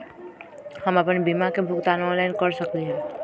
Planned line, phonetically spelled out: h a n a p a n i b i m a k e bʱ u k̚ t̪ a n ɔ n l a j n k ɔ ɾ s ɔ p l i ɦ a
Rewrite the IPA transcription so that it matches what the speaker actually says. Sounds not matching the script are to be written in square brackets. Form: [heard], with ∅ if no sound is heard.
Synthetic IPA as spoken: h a [m] a p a n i b i m a k e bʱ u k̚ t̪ a n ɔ n l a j n k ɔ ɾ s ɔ [k] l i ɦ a